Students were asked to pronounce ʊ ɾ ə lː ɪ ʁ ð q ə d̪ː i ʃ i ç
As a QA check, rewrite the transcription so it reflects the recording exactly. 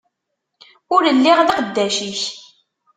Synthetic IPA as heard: ʊ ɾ ə lː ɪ ʁ ð q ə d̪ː æ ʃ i ç